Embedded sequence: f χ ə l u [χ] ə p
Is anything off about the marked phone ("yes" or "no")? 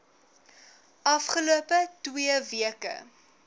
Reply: yes